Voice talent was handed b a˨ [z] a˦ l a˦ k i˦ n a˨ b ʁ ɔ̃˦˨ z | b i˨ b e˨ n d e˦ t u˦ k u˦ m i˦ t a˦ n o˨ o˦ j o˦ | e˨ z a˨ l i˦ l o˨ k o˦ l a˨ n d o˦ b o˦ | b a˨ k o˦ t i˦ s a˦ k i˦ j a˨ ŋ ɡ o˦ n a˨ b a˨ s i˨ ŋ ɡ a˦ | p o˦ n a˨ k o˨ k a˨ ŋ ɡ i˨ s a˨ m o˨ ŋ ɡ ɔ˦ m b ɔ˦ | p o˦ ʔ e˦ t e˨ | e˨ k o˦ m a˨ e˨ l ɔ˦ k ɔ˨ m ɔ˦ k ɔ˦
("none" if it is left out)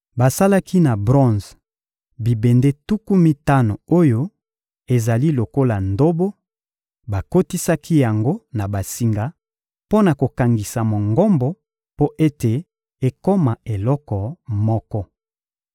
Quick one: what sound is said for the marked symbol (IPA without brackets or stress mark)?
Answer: s